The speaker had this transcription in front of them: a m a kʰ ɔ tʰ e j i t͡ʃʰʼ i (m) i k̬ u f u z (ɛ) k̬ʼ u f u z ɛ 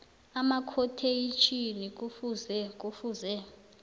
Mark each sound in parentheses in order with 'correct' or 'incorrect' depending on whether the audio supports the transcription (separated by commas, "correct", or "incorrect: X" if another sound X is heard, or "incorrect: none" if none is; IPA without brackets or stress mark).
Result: incorrect: n, correct